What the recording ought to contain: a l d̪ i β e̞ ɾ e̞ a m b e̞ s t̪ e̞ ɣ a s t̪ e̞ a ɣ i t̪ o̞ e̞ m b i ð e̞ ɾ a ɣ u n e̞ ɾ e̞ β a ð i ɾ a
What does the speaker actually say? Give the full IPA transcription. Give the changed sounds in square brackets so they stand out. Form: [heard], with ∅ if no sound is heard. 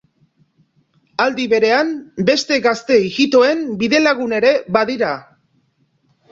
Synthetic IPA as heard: a l d̪ i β e̞ ɾ e̞ a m b e̞ s t̪ e̞ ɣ a s t̪ e̞ [i] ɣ i t̪ o̞ e̞ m b i ð e̞ [l] a ɣ u n e̞ ɾ e̞ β a ð i ɾ a